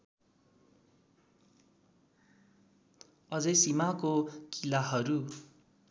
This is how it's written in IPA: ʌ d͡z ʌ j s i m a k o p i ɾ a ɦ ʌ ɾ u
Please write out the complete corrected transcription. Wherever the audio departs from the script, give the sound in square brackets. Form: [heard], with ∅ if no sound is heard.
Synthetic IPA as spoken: ʌ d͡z ʌ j s i m a k o [k] i [l] a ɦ ʌ ɾ u